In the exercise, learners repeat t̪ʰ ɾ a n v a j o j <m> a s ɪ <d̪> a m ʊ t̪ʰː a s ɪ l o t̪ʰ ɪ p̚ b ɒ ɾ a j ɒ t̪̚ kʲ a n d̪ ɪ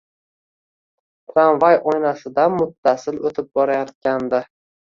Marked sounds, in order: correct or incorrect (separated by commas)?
incorrect, correct